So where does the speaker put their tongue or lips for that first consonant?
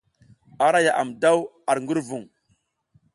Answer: tongue tip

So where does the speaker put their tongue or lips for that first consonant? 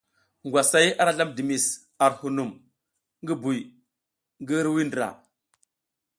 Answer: velum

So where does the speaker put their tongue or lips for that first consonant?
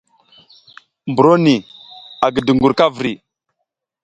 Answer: lips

